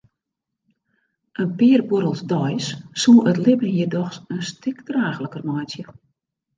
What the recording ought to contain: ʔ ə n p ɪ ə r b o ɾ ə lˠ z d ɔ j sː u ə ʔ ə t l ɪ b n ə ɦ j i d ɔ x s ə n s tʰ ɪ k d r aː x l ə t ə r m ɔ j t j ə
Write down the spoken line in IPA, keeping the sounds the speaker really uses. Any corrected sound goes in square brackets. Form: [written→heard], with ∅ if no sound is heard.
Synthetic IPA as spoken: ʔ ə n p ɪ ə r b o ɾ ə lˠ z d ɔ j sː u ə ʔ ə t l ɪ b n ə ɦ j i d ɔ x s ə n s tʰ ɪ k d r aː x l ə [t→k] ə r m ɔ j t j ə

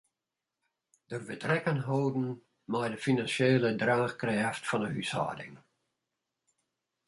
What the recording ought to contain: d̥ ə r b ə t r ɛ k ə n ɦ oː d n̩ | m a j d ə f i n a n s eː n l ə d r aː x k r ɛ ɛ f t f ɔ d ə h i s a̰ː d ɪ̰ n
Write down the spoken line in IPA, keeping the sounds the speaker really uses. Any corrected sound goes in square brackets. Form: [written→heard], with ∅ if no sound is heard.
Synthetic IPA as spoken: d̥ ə r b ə t r ɛ k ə n ɦ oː d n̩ | m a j d ə f i n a n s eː [n→∅] l ə d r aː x k r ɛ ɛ f t f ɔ [d→n] ə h [i→y] s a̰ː d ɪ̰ [n→ŋ]

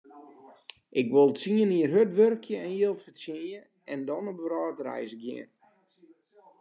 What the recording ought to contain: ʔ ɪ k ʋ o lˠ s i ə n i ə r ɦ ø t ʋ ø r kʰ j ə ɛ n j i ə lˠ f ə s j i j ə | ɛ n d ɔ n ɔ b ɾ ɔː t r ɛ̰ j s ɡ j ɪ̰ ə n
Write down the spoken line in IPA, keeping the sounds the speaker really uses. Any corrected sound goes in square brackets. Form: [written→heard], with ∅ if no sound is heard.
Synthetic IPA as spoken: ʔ ɪ k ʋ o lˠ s i ə n i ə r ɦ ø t ʋ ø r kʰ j ə ɛ n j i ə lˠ f ə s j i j ə | ɛ n d ɔ n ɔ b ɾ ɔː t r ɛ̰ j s ɡ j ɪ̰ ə n

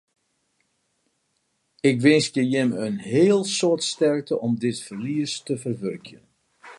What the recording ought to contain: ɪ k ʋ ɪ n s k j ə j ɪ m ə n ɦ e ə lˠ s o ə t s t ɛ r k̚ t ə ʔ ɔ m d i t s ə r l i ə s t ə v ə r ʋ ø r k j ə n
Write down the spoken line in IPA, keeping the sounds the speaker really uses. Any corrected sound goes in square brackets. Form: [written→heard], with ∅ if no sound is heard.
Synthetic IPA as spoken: ɪ k ʋ ɪ n s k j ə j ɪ m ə n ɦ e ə lˠ s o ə t s t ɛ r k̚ t ə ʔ ɔ m d [i→ɪ] t [s→f] ə r l i ə s t ə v ə r ʋ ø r k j ə n

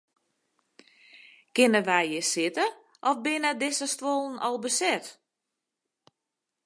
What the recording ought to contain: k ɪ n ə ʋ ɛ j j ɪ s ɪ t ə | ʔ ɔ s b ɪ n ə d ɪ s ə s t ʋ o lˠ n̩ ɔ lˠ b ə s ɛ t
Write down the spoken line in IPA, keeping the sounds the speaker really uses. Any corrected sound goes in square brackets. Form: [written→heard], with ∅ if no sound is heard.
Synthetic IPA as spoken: k ɪ n ə ʋ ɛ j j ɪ s ɪ t ə | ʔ ɔ [s→f] b ɪ n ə d ɪ s ə s t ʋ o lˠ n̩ ɔ lˠ b ə s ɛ t

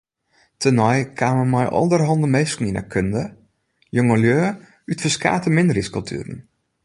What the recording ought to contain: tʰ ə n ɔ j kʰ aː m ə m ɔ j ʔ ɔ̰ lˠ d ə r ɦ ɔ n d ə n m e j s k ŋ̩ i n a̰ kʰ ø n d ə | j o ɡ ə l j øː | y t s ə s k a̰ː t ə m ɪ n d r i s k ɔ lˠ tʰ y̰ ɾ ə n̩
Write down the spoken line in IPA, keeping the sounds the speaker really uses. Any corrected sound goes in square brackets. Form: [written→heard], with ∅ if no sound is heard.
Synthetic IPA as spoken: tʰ ə n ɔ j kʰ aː m ə m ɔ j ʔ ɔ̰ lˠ d ə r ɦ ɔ n d ə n m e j s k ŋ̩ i n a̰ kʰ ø n d ə | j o [ɡ→ŋ] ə l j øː | y t [s→f] ə s k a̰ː t ə m ɪ n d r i s k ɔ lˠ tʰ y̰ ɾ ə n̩

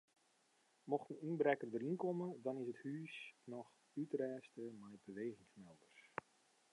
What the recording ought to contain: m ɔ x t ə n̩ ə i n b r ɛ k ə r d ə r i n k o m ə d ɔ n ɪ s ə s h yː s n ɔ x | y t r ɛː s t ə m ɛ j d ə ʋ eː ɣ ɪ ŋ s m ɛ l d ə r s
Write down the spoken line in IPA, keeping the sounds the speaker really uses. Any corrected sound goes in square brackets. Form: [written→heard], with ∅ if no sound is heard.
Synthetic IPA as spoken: m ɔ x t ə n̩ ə i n b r ɛ k ə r d ə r i n k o m ə d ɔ n ɪ s ə [s→t] h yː s n ɔ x | y t r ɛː s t ə m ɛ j [d→b] ə ʋ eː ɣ ɪ ŋ s m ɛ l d ə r s

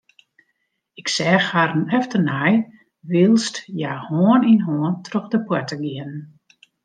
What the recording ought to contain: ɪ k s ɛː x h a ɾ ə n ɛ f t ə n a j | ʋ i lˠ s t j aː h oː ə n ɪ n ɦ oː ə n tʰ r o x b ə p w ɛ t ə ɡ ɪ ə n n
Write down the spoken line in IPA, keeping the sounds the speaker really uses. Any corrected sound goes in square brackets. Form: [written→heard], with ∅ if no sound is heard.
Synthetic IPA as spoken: ɪ k s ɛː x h a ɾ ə n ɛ f t ə n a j | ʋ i lˠ s t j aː h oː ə n [ɪ→i] n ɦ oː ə n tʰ r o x [b→d] ə p w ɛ t ə ɡ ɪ ə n n

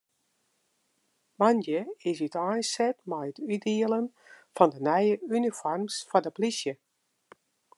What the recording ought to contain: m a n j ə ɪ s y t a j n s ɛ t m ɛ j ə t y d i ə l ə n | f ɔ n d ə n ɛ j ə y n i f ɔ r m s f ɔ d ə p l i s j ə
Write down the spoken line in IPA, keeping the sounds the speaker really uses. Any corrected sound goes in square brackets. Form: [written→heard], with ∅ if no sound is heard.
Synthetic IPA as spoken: m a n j ə ɪ s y t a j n s ɛ t m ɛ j ə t y d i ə l ə n | f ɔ n d ə n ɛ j ə y n i f ɔ r m s f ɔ d ə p l i s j ə

